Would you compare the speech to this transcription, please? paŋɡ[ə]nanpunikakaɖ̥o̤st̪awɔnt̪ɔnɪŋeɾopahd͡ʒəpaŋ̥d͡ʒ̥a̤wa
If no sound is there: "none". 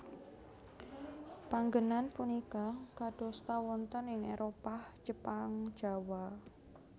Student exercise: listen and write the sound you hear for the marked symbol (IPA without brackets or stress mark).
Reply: ə